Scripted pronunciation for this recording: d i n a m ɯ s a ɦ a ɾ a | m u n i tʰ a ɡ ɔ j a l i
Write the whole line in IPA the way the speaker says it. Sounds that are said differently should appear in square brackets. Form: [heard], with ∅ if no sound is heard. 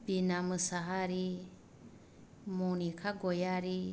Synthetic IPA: [b] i n a m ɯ s a ɦ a ɾ [i] | m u n i [kʰ] a ɡ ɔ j a [ɾ] i